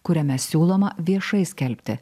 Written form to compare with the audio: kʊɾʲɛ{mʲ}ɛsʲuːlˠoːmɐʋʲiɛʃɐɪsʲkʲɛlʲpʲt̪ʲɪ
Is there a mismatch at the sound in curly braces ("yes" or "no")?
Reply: no